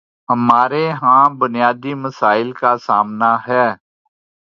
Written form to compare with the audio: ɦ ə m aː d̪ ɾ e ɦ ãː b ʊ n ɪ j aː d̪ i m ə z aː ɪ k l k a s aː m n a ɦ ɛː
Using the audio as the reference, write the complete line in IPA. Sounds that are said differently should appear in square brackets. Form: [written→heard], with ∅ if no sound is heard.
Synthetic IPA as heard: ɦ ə m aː [d̪→∅] ɾ e ɦ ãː b ʊ n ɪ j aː d̪ i m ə [z→s] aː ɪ [k→∅] l k a s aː m n a ɦ ɛː